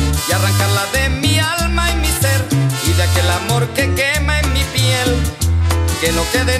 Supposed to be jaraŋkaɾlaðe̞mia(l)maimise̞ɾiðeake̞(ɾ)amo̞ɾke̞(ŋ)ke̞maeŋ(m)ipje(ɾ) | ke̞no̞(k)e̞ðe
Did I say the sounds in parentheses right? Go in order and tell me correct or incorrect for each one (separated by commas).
correct, incorrect, incorrect, correct, incorrect, correct